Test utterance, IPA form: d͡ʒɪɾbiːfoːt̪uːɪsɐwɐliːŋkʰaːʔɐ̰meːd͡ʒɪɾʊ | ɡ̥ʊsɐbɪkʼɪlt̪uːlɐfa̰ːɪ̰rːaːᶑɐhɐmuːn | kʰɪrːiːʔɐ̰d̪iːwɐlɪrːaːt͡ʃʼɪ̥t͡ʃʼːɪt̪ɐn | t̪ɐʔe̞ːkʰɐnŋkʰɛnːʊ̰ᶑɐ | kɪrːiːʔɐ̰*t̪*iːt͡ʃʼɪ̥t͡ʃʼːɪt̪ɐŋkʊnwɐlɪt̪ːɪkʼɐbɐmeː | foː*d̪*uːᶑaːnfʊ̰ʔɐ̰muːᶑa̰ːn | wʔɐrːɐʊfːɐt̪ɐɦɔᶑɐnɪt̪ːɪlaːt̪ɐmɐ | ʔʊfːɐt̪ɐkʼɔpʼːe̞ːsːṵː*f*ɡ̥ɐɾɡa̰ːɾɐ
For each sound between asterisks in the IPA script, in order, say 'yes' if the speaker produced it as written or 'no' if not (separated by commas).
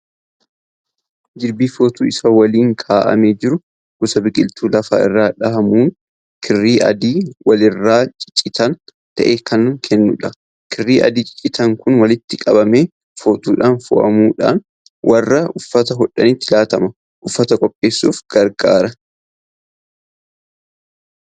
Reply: no, no, yes